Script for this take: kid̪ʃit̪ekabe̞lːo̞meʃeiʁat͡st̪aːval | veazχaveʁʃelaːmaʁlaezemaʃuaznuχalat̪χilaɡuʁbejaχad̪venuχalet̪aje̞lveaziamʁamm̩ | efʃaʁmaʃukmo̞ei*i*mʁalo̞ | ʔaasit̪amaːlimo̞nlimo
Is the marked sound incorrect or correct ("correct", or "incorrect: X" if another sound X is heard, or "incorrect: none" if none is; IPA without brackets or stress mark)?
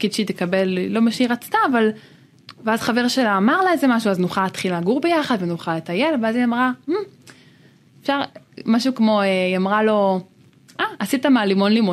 incorrect: a